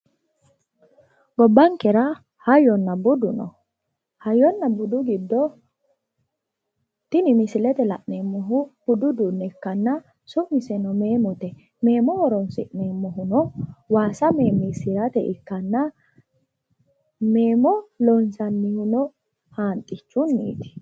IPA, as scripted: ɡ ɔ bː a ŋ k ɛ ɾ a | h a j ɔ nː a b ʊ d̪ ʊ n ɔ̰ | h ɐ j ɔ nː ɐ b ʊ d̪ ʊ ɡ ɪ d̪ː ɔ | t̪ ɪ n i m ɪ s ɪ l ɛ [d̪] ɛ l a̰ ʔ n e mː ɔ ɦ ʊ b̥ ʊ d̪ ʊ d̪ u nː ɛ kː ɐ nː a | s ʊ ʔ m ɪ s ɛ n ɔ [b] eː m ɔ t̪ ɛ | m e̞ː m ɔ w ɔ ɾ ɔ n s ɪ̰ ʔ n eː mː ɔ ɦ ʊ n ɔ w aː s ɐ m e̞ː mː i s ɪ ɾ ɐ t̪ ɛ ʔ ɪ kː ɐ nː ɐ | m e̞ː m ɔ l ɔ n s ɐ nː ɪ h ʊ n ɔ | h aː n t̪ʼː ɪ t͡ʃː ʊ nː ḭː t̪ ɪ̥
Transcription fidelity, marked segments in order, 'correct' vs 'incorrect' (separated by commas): incorrect, incorrect